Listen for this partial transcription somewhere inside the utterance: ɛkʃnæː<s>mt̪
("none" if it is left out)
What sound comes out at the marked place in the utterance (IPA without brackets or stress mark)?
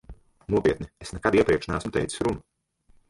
s